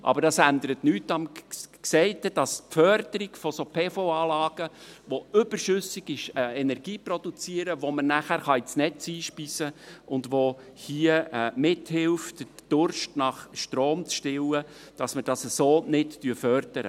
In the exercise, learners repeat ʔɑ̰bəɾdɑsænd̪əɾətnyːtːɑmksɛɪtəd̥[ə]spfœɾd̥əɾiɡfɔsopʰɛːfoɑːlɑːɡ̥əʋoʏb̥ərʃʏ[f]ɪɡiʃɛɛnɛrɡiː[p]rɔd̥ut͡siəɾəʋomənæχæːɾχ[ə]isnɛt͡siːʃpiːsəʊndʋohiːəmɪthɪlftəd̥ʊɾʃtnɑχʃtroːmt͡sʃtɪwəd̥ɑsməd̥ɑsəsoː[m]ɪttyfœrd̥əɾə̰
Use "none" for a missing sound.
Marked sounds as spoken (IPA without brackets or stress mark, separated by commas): ɑ, s, p, ɑ, n